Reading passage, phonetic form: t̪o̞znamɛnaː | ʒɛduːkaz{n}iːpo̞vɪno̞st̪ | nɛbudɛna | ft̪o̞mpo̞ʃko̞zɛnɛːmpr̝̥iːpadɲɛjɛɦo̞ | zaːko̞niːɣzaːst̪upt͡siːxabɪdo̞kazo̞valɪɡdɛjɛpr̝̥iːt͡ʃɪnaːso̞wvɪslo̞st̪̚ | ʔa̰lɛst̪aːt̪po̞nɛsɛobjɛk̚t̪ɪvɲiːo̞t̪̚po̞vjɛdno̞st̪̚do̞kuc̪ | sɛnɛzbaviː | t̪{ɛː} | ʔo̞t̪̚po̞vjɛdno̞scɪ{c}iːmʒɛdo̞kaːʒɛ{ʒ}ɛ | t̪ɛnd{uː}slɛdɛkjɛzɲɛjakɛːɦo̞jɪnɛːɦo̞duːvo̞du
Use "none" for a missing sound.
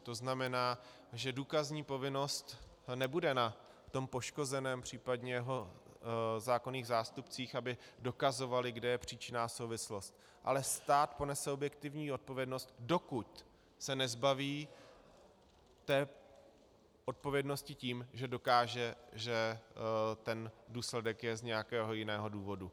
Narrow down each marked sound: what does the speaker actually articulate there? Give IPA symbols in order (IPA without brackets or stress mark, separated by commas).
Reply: ɲ, ɛː, c, ʒ, uː